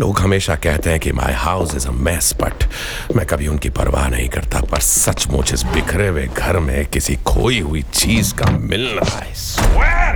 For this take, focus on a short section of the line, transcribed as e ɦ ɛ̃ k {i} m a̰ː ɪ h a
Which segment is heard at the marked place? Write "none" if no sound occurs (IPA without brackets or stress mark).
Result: i